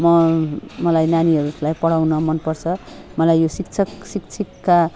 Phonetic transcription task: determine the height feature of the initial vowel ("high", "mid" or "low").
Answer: mid